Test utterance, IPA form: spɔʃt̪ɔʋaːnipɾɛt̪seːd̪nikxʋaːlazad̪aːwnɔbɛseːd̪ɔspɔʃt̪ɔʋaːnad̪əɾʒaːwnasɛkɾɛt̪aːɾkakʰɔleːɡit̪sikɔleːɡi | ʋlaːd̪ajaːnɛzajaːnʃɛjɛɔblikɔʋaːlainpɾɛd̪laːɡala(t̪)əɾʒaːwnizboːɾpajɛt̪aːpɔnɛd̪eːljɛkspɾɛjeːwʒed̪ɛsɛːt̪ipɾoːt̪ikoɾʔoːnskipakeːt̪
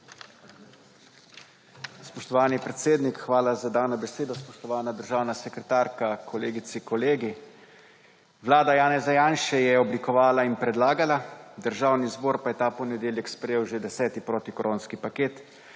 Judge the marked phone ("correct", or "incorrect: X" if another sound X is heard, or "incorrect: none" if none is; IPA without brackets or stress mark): incorrect: d̪